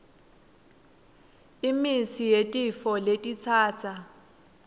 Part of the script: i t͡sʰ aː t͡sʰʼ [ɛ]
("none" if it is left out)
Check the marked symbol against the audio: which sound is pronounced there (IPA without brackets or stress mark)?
a